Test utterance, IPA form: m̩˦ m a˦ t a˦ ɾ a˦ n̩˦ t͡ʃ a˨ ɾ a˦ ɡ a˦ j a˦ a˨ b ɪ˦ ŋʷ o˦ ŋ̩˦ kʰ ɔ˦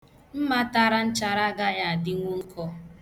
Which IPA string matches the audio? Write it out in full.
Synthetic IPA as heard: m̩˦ m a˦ t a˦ ɾ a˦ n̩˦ t͡ʃ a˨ ɾ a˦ ɡ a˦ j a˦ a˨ d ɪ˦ ŋʷ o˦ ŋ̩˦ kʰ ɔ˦

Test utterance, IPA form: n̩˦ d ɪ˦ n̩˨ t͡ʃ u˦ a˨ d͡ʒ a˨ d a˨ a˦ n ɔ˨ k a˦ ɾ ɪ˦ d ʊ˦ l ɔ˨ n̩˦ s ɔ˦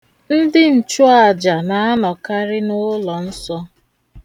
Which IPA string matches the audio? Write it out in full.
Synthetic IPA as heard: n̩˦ d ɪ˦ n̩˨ t͡ʃ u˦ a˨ d͡ʒ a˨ n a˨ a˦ n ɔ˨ k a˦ ɾ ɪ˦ n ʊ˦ l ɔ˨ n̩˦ s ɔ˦

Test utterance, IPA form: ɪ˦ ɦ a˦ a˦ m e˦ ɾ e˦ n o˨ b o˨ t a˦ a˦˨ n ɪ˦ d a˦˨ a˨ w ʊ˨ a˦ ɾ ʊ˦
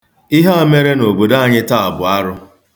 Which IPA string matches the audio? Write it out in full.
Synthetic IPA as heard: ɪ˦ ɦ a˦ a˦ m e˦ ɾ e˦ n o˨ b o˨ d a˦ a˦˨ ɲ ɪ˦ t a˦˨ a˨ b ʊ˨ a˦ ɾ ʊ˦

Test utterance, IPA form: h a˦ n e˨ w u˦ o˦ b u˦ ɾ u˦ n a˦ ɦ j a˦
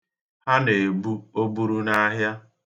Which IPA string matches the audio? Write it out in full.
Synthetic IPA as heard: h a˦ n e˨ b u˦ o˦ b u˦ ɾ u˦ n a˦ ɦ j a˦

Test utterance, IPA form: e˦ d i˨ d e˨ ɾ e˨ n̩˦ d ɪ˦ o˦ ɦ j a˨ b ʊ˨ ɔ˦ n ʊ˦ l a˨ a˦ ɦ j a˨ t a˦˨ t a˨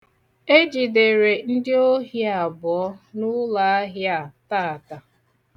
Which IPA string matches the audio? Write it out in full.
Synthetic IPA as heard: e˦ d͡ʒ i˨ d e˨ ɾ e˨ n̩˦ d ɪ˦ o˦ ɦ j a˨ b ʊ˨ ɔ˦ n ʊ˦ l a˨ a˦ ɦ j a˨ t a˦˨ t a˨

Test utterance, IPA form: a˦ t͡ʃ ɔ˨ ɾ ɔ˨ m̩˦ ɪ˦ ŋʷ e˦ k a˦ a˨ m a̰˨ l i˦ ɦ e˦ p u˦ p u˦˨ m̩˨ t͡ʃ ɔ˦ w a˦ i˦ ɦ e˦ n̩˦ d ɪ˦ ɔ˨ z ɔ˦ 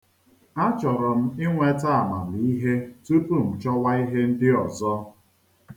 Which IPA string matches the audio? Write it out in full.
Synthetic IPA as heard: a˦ t͡ʃ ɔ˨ ɾ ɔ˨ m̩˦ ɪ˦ ŋʷ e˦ t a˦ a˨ m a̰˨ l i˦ ɦ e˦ t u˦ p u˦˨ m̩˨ t͡ʃ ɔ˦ w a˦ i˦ ɦ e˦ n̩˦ d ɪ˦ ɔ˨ z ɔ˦

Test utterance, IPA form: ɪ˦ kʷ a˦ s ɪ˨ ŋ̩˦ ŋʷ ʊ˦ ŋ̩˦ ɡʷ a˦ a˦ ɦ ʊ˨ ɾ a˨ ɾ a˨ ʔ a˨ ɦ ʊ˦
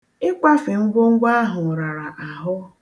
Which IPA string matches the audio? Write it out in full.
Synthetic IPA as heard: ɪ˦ kʷ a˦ f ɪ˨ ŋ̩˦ ɡʷ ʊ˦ ŋ̩˦ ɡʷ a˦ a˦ ɦ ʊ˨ ɾ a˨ ɾ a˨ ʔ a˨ ɦ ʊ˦

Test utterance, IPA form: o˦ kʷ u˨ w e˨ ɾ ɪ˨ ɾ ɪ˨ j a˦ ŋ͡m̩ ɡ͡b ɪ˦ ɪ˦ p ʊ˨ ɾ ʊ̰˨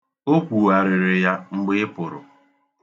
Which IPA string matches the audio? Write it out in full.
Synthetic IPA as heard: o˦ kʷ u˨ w a˨ ɾ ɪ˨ ɾ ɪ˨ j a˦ ŋ͡m̩ ɡ͡b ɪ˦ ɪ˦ p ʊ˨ ɾ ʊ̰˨

